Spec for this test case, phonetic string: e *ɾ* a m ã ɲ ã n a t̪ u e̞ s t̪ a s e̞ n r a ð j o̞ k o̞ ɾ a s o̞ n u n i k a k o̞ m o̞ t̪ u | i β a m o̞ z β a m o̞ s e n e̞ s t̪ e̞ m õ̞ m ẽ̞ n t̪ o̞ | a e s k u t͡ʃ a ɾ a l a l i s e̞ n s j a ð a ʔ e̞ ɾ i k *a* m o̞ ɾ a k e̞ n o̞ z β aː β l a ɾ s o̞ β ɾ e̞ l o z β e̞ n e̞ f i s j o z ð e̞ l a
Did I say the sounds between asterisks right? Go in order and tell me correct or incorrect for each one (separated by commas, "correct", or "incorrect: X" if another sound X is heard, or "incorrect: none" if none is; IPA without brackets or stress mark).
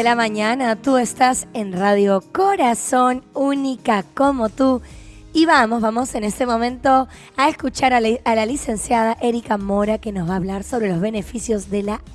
incorrect: l, correct